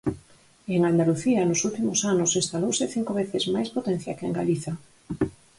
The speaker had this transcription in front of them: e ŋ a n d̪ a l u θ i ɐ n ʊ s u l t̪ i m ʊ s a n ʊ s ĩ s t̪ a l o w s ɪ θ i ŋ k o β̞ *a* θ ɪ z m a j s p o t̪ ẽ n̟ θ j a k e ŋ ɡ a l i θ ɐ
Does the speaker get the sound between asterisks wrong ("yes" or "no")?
yes